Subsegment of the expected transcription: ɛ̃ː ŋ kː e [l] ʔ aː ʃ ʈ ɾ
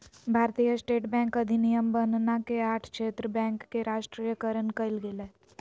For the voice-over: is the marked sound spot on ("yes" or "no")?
no